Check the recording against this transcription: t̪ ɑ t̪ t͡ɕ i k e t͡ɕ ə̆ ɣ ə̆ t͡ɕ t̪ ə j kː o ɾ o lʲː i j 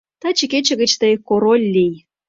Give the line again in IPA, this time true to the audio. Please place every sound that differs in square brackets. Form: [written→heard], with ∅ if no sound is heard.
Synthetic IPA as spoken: t̪ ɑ [t̪→∅] t͡ɕ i k e t͡ɕ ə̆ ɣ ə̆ t͡ɕ t̪ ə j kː o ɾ o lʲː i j